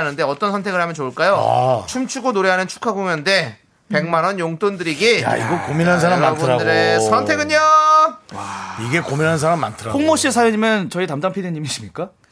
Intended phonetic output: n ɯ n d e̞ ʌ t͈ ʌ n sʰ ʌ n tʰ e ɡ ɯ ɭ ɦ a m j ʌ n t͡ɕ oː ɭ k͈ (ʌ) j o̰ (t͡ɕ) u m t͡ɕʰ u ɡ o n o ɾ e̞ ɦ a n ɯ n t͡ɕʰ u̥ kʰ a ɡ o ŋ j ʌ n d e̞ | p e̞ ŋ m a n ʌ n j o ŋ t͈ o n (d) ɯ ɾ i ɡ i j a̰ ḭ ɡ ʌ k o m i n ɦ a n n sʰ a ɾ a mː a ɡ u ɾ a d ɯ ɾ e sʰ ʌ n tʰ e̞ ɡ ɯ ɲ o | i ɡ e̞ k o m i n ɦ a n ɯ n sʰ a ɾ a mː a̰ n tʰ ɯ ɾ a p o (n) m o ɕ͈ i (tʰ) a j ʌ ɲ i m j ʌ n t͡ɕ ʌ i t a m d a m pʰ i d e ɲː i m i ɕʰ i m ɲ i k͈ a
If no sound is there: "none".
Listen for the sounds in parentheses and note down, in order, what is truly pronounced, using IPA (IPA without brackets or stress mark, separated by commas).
a, t͡ɕʰ, d, ŋ, sʰ